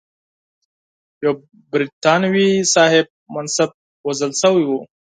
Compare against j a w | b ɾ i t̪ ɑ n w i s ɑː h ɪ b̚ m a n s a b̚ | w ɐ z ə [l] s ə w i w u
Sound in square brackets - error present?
no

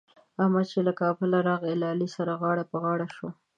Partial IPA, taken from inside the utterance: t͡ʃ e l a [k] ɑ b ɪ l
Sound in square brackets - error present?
no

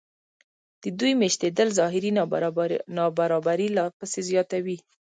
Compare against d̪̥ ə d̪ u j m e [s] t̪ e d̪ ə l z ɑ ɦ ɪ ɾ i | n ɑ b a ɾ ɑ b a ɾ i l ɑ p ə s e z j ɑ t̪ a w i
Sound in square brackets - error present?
yes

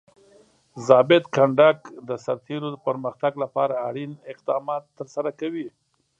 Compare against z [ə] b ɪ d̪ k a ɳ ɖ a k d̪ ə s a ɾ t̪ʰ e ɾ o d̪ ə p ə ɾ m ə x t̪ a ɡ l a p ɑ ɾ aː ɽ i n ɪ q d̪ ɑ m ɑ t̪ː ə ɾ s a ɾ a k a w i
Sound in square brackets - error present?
yes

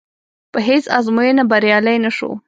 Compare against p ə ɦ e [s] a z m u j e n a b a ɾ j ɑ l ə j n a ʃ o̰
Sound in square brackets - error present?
no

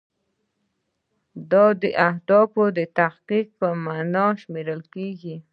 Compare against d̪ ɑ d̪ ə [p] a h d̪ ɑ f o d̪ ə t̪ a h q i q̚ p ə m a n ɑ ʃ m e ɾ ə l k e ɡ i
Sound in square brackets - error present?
yes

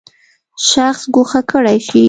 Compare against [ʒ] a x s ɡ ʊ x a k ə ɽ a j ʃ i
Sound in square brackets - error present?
yes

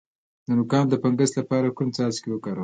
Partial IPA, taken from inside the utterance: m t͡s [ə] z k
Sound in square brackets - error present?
yes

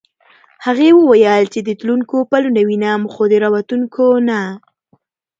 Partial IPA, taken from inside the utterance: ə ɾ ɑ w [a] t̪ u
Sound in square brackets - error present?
no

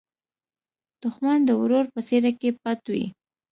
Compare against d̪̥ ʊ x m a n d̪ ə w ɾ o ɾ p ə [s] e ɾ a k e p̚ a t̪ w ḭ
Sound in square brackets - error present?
no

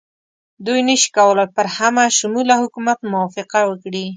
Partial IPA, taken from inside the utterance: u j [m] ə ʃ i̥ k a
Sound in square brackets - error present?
yes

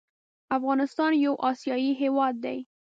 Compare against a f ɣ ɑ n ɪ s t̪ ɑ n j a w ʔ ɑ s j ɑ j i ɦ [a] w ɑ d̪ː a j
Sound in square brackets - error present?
yes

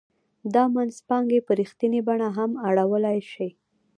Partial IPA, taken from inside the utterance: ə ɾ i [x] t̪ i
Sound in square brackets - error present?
no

